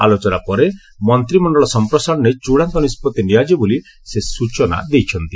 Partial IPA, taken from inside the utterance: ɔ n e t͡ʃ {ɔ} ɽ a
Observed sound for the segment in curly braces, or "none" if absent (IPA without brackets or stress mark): u